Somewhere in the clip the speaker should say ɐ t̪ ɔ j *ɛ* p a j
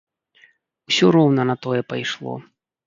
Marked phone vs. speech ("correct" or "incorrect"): correct